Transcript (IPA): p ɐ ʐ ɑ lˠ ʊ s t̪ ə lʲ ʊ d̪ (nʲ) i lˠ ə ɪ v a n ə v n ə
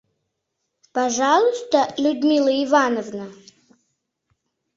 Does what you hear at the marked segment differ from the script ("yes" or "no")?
yes